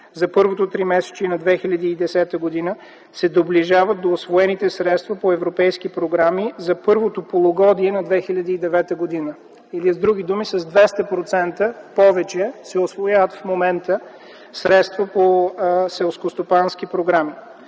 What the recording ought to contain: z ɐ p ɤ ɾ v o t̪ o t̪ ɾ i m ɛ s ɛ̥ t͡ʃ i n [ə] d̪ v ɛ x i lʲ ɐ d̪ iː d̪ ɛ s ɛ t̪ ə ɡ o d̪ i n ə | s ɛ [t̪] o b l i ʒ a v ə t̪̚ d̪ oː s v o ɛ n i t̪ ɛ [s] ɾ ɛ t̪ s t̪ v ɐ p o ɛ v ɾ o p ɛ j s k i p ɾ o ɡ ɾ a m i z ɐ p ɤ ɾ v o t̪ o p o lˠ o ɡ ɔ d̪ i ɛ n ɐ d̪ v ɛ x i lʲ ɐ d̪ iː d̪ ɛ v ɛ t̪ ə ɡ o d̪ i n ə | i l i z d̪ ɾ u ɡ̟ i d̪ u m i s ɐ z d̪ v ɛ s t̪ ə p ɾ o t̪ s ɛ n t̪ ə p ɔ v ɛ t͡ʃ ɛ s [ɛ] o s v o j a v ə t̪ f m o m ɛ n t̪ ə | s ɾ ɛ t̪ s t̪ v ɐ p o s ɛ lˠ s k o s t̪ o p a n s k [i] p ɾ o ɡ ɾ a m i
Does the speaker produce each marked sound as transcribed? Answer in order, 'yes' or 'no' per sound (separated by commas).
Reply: no, no, yes, yes, yes